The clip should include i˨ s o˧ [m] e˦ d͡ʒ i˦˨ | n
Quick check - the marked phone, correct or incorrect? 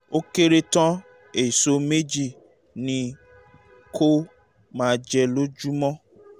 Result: correct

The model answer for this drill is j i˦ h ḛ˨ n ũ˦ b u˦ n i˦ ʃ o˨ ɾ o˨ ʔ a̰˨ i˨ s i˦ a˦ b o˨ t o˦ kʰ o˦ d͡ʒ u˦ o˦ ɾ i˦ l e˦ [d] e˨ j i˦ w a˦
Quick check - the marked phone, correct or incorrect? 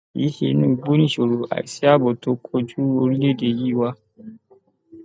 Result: correct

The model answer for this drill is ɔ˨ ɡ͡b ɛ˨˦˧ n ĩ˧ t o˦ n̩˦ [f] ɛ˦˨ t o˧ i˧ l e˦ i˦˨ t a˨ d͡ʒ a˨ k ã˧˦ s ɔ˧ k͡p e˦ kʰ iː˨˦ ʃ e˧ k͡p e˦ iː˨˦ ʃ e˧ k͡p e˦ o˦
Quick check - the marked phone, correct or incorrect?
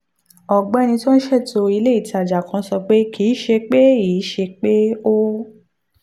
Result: incorrect: ʃ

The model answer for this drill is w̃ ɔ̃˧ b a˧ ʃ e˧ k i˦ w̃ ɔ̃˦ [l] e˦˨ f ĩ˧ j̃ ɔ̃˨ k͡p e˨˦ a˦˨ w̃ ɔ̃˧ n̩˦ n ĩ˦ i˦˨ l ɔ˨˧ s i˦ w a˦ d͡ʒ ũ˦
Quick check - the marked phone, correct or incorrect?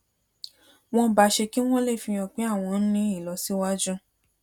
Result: correct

